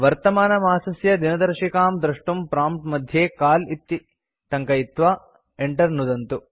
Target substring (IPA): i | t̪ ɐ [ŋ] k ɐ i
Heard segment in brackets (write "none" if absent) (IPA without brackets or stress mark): ŋ